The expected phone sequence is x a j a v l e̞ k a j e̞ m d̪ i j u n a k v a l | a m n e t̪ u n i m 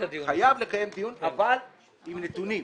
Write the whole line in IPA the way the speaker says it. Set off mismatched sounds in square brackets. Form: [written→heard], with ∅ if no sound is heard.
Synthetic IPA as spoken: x a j a v l e̞ k a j e̞ m d̪ i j u n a [k→∅] v a l | [a→i] m n e t̪ u n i m